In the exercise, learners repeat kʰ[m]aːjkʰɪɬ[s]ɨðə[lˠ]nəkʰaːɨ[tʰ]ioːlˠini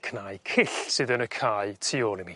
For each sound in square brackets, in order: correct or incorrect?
incorrect, correct, incorrect, correct

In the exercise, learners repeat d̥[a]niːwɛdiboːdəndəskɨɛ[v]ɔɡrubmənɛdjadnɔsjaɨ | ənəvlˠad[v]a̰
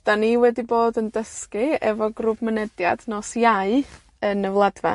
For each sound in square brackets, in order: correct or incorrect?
correct, correct, correct

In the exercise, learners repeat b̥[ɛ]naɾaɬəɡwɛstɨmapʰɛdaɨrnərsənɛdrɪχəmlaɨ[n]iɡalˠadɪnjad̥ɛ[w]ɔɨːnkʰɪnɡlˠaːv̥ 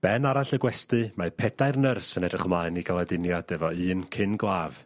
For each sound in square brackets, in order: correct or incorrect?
correct, correct, incorrect

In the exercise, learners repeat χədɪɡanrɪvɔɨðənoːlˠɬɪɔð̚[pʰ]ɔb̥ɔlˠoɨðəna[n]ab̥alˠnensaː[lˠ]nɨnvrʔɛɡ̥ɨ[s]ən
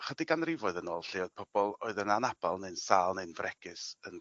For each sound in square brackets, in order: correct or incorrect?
correct, correct, correct, correct

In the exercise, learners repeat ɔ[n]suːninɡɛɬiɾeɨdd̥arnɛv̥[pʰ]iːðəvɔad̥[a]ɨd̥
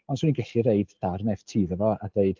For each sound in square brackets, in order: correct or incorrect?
correct, incorrect, incorrect

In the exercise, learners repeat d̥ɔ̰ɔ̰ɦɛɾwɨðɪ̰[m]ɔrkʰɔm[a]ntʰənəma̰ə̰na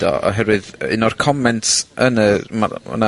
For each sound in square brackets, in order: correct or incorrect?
incorrect, incorrect

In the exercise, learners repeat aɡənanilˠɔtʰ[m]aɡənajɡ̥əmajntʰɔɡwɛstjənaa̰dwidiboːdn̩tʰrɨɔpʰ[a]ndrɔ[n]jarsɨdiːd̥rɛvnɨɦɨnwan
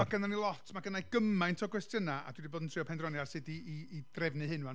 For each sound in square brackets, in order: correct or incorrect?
correct, incorrect, correct

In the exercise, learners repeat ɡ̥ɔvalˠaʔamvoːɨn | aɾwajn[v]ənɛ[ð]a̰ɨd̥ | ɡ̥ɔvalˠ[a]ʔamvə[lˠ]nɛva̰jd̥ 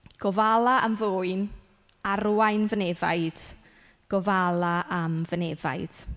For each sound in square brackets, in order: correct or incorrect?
correct, incorrect, correct, incorrect

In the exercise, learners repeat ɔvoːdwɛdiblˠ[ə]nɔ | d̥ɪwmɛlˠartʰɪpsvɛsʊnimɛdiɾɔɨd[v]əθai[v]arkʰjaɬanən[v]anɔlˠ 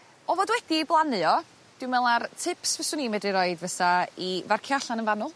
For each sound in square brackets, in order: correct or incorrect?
incorrect, correct, correct, correct

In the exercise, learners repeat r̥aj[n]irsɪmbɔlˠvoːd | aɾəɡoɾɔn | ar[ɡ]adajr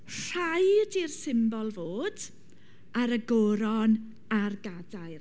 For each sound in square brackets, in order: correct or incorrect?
incorrect, correct

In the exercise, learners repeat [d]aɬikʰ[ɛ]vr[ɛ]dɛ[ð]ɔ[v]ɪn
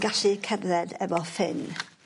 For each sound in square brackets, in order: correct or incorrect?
incorrect, correct, correct, incorrect, incorrect

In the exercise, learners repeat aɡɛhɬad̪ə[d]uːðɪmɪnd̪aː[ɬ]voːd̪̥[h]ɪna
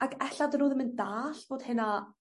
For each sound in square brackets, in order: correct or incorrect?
incorrect, correct, correct

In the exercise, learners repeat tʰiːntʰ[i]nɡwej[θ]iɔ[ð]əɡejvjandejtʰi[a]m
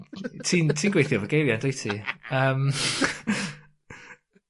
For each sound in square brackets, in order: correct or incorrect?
incorrect, correct, incorrect, incorrect

